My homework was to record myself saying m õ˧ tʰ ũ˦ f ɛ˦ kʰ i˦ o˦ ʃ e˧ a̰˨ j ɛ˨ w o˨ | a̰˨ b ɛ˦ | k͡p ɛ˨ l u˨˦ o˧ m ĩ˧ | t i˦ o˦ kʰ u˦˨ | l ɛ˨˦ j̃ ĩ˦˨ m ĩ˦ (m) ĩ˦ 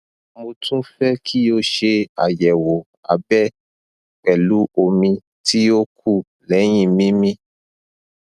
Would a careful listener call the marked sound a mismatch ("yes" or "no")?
no